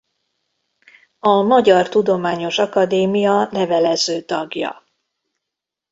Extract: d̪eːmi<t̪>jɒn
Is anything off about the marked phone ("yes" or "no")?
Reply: yes